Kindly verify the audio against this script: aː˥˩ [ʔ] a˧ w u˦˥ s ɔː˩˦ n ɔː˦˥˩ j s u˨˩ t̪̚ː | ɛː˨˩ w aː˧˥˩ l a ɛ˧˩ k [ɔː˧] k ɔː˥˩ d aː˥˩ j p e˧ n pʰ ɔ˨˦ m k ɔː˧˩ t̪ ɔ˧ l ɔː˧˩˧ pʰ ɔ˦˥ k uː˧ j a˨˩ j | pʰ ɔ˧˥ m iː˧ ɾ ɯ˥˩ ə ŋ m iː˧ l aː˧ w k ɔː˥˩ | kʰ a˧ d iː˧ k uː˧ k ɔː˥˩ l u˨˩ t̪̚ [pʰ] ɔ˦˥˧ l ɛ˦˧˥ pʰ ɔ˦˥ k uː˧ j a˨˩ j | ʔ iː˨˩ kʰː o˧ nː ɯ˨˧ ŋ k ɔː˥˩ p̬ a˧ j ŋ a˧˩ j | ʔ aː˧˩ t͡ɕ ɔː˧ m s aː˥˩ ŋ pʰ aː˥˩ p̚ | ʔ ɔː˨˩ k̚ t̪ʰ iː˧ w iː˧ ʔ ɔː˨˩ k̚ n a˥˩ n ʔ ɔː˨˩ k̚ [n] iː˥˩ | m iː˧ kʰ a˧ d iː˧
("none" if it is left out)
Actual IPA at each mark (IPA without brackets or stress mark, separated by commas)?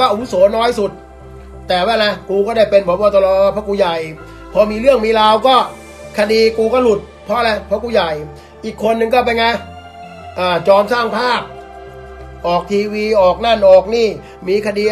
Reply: ʔ, uː˧, pʰ, n